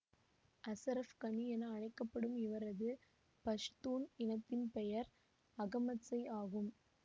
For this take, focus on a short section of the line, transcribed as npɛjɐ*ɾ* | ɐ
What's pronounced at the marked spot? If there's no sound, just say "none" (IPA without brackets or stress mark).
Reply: ɾ